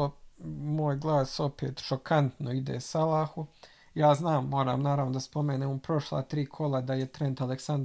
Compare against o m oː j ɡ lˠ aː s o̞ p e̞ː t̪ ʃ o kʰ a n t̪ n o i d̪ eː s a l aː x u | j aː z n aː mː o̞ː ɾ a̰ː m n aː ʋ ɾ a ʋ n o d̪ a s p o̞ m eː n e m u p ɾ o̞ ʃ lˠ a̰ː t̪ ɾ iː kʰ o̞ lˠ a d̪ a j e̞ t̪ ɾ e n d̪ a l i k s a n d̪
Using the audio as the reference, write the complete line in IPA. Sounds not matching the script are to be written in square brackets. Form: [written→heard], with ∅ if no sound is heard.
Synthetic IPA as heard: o m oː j ɡ lˠ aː s o̞ p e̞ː t̪ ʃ o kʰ a n t̪ n o i d̪ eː s a l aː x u | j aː z n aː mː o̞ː ɾ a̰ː m n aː [ʋ→∅] ɾ a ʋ n o d̪ a s p o̞ m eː n e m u p ɾ o̞ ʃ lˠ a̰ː t̪ ɾ iː kʰ o̞ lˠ a d̪ a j e̞ t̪ ɾ e n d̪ a l [i→e] k s a n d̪